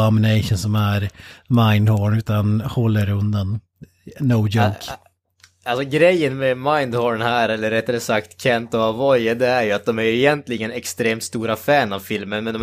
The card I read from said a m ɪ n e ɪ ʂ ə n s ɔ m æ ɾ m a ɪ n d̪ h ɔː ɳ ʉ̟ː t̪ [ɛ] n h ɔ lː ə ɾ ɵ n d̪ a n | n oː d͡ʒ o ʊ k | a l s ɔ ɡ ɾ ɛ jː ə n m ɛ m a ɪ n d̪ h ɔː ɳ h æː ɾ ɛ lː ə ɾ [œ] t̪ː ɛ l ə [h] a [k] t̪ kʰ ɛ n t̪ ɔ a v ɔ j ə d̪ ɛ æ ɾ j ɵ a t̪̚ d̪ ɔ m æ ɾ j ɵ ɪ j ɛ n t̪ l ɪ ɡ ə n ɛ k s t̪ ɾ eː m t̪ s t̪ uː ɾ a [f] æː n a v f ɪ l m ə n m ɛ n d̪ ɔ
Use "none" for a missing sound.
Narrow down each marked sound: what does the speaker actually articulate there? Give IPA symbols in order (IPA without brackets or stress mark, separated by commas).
a, ɛ, s, k, f